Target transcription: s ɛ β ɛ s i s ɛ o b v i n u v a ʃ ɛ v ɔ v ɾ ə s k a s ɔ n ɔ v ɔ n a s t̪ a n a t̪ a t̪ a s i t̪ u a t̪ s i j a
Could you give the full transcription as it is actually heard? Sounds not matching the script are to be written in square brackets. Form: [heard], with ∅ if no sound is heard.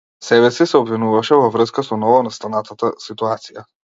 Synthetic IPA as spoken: s ɛ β ɛ s i s ɛ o b v i n u v a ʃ ɛ v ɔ v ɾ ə s k a s ɔ n ɔ v ɔ n a s t̪ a n a t̪ a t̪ a s i t̪ u a t̪ s i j a